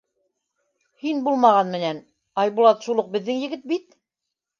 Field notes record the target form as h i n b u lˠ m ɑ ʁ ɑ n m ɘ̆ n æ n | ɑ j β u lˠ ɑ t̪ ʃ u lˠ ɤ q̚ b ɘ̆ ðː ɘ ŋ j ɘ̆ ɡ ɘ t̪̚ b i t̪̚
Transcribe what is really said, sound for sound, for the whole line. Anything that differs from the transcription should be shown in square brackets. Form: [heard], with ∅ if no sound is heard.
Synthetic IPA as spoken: h i n b u lˠ m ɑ ʁ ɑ n m ɘ̆ n æ n | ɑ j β u lˠ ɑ t̪ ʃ u lˠ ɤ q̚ b ɘ̆ ðː ɘ ŋ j ɘ̆ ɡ ɘ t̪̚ b i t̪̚